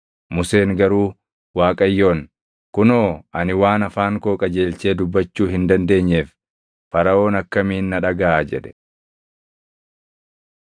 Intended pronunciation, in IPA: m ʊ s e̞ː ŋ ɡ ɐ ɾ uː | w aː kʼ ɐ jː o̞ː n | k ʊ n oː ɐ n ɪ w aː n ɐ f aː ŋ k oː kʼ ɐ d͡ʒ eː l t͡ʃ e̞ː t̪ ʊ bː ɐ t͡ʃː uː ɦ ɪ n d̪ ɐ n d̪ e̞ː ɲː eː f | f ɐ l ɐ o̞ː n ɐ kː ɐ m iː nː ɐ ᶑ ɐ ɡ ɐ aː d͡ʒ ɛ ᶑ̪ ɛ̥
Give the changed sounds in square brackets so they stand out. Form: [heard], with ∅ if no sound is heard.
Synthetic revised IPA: m ʊ s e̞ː ŋ ɡ ɐ ɾ uː | w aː kʼ ɐ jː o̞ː n | k ʊ n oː ɐ n ɪ w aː n ɐ f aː ŋ k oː kʼ ɐ d͡ʒ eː l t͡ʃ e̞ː [d̪] ʊ bː ɐ t͡ʃː uː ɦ ɪ n d̪ ɐ n d̪ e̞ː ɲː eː f | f ɐ [ɾ] ɐ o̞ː n ɐ kː ɐ m iː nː ɐ ᶑ ɐ ɡ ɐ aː d͡ʒ ɛ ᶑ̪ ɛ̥